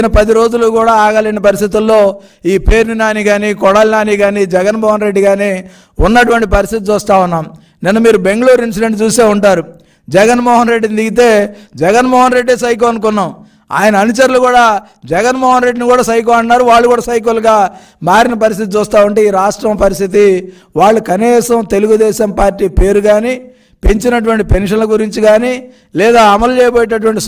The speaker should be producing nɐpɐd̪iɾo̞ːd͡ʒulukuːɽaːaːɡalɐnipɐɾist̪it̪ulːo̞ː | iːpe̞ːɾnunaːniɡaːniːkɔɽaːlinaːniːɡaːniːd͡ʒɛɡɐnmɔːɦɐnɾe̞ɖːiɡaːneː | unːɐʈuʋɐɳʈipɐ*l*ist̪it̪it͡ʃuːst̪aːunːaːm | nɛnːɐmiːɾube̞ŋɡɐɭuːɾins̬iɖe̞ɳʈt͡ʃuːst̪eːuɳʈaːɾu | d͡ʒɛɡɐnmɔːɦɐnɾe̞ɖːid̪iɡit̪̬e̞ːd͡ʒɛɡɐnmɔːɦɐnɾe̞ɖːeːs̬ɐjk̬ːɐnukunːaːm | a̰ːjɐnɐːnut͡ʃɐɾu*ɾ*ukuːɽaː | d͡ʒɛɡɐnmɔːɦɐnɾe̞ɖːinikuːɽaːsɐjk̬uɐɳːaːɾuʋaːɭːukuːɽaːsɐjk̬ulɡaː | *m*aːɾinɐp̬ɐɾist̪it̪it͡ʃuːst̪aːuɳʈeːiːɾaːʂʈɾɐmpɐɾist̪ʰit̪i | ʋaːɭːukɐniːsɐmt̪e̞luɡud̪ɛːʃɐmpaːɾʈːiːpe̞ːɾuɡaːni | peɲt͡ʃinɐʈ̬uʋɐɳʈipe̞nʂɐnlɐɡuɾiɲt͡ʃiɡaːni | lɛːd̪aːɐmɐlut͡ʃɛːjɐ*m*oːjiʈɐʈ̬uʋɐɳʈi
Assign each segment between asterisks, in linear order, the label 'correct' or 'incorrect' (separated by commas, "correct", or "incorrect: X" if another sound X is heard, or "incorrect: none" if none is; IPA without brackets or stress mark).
incorrect: ɾ, incorrect: l, correct, incorrect: b